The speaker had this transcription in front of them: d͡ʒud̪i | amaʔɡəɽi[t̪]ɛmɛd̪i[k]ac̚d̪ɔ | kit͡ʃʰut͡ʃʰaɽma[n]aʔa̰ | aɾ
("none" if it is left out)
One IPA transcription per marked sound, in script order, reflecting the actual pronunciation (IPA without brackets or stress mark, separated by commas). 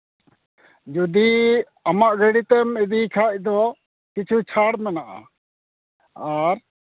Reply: t̪, kʰ, n